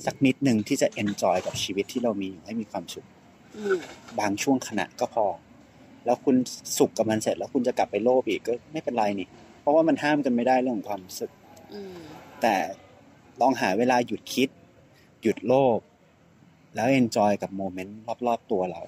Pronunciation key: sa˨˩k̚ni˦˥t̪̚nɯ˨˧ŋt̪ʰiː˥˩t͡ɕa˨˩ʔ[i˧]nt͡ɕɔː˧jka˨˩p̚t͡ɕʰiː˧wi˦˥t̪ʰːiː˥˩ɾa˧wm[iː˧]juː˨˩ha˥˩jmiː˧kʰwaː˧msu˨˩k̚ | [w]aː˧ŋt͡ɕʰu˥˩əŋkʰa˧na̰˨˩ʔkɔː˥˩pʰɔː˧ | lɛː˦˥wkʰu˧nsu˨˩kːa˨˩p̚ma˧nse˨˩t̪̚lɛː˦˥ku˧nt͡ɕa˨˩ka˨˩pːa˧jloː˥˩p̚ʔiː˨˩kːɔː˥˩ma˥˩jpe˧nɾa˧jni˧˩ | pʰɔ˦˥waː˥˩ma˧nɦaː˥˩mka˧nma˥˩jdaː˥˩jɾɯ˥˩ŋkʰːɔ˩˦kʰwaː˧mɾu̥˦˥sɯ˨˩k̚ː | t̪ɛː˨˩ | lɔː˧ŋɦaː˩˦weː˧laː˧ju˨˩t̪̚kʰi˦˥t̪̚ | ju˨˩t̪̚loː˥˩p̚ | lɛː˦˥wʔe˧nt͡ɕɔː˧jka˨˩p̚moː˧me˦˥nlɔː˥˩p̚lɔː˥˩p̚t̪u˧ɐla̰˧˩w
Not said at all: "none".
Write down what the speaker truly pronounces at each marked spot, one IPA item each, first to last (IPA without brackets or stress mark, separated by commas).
e˧, iː˧, b